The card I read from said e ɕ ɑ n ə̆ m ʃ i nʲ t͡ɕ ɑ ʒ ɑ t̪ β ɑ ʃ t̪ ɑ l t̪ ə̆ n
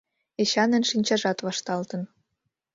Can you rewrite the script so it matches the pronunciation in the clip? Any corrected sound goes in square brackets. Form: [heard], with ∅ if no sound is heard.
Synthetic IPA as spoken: e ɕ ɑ n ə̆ [n] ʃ i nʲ t͡ɕ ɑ ʒ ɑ t̪ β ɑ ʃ t̪ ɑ l t̪ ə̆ n